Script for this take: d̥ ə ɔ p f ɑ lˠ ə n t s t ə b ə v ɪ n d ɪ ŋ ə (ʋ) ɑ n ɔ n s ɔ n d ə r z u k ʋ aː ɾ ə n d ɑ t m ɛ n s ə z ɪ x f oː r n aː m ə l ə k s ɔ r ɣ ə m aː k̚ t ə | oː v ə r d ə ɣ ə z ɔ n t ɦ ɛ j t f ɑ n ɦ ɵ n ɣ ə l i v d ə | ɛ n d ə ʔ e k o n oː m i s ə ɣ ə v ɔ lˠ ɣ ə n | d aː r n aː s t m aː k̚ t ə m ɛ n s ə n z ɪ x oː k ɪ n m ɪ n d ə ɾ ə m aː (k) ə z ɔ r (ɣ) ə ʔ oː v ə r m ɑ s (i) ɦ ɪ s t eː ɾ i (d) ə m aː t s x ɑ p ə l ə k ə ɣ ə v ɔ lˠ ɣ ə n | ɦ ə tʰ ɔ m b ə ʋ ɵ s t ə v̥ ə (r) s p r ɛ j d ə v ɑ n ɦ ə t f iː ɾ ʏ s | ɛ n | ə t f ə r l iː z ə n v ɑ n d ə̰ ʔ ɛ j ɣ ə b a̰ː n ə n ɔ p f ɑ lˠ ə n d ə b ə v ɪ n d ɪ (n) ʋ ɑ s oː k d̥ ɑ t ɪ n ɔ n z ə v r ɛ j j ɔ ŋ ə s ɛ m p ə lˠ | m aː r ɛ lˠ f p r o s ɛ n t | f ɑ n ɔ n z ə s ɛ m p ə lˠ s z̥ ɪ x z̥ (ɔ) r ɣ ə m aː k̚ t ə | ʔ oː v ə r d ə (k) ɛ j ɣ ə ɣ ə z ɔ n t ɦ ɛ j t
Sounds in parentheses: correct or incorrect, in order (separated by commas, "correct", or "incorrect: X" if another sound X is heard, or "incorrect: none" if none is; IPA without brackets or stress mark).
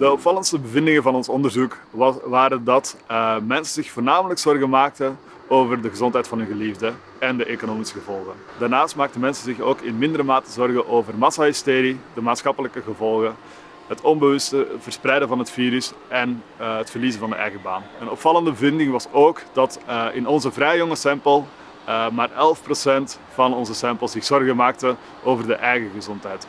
incorrect: v, incorrect: t, correct, incorrect: a, correct, correct, incorrect: ŋ, correct, incorrect: ʔ